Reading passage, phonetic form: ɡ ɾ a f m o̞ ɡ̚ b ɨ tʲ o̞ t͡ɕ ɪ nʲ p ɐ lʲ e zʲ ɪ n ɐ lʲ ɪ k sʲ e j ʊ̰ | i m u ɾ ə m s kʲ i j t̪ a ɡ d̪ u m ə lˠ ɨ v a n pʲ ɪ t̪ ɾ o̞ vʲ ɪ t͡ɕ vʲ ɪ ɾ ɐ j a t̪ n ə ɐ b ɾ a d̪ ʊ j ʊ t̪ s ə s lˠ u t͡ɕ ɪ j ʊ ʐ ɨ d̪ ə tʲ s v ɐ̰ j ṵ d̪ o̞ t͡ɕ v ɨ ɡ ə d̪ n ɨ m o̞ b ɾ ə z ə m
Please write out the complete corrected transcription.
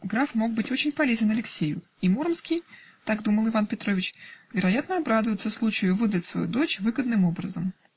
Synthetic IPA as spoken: ɡ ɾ a f m o̞ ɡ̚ b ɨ tʲ o̞ t͡ɕ ɪ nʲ p ɐ lʲ e zʲ ɪ n ɐ lʲ ɪ k sʲ e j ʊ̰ | i m u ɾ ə m s kʲ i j t̪ a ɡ d̪ u m ə lˠ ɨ v a n pʲ ɪ t̪ ɾ o̞ vʲ ɪ t͡ɕ vʲ ɪ ɾ ɐ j a t̪ n ə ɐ b ɾ a d̪ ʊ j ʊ t̪ s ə s lˠ u t͡ɕ ɪ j ʊ v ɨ d̪ ə tʲ s v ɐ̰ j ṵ d̪ o̞ t͡ɕ v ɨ ɡ ə d̪ n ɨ m o̞ b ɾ ə z ə m